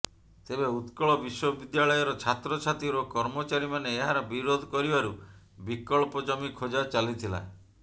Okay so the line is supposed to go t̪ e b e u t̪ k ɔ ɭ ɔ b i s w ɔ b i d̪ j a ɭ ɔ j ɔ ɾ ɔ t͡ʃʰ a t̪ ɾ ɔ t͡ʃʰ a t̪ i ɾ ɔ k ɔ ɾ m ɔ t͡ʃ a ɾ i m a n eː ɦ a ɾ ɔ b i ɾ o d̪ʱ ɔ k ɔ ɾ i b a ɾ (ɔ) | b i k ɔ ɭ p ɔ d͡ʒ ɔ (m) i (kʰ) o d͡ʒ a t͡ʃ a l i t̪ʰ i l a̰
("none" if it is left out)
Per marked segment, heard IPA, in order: u, m, kʰ

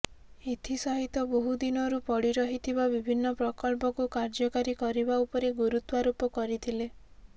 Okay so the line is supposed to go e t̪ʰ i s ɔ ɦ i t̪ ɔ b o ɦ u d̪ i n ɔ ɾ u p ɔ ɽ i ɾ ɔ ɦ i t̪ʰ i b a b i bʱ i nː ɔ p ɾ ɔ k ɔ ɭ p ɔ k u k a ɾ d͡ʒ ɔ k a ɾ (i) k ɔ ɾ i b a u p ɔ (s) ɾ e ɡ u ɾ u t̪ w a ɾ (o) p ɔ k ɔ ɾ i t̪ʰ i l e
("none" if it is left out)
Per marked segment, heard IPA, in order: i, none, u

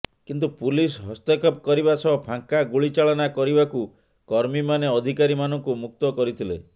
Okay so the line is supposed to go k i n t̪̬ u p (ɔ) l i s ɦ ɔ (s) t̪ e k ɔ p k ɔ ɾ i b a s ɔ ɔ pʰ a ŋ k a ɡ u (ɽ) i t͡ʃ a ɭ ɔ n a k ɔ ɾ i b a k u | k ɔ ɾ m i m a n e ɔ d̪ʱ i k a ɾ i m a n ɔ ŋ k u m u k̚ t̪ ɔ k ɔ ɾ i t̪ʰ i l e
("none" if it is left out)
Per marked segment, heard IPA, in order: u, s, ɭ

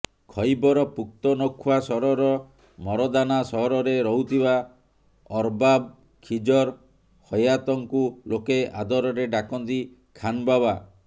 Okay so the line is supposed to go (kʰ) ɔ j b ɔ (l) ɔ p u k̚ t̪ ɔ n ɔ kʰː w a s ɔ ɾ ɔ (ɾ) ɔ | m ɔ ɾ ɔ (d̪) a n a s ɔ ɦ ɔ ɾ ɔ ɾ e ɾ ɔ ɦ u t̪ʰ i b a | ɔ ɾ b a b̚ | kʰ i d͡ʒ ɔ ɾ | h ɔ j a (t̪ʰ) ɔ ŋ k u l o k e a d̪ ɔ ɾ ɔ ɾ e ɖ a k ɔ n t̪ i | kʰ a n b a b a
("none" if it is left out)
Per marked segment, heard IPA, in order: kʰ, ɾ, ɾ, d̪, t̪

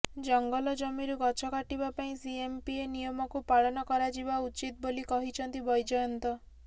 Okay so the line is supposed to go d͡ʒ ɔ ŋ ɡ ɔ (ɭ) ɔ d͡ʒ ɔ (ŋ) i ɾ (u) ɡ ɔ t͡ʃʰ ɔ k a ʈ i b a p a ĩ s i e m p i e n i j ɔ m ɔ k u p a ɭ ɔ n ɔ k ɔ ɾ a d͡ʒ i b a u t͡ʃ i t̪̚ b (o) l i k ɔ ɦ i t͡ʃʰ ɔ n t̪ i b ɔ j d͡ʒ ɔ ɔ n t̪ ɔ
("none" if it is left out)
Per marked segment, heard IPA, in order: l, m, u, o

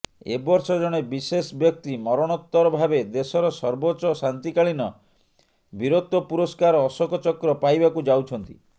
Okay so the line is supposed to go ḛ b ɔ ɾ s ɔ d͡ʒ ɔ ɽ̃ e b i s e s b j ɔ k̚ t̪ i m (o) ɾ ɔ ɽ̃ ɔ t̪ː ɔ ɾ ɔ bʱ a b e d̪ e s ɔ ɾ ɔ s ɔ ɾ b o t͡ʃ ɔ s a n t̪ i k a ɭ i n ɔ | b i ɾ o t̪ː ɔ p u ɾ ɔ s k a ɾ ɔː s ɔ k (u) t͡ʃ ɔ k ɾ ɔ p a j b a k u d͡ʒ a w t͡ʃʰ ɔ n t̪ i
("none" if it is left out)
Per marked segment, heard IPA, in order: ɔ, ɔ

